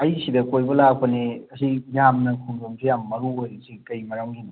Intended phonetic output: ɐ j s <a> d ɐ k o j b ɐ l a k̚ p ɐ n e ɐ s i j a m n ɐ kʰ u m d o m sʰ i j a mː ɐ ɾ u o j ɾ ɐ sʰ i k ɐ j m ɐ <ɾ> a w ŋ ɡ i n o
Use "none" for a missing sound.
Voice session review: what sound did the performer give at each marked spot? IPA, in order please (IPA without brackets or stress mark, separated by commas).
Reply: i, ɾ